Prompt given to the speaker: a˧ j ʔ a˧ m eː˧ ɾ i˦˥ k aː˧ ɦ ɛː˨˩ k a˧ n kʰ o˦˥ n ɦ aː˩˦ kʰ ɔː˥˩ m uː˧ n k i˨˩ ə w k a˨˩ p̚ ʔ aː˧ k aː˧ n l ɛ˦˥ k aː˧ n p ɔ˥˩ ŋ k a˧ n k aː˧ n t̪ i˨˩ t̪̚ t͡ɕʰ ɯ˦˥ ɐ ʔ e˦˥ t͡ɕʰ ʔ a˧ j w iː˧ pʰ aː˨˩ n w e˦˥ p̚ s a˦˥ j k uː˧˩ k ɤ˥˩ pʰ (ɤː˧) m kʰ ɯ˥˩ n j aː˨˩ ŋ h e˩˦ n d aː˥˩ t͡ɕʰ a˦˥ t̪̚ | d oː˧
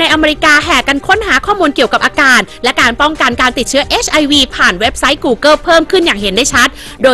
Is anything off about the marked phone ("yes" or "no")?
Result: yes